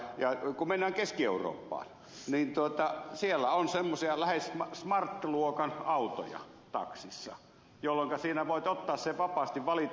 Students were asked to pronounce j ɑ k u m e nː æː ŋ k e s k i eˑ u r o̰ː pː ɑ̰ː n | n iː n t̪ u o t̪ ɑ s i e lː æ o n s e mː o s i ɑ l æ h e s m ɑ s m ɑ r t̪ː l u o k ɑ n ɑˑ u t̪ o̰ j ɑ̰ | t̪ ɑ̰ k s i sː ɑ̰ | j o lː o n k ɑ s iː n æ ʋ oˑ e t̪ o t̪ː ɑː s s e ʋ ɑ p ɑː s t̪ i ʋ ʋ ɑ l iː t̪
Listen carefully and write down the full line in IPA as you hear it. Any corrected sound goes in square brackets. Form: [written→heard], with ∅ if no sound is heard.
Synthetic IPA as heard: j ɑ k u m e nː æː ŋ k e s k i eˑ u r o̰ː pː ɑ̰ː n | n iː n t̪ u o t̪ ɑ s i e lː æ o n s e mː o s i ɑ l æ h e s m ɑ s m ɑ r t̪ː l u o k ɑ n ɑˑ u t̪ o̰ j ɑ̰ | t̪ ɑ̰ k s i sː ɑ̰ | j o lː o [n→ŋ] k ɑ s iː n æ ʋ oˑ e t̪ o t̪ː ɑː s s e ʋ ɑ p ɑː s t̪ i ʋ ʋ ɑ l [iː→i] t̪